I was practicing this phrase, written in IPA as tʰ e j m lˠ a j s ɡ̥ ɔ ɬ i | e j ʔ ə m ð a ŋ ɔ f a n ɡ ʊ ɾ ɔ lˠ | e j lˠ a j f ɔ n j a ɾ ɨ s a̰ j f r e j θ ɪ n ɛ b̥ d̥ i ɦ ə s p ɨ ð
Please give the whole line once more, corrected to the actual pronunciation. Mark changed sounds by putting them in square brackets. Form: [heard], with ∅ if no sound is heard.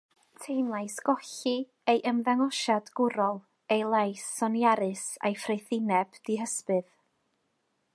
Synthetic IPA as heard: tʰ e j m lˠ a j s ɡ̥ ɔ ɬ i | e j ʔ ə m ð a ŋ ɔ [ʃ] a [d] ɡ ʊ ɾ ɔ lˠ | e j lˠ a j [s] ɔ n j a ɾ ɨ s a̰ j f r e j θ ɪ n ɛ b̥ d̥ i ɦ ə s p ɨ ð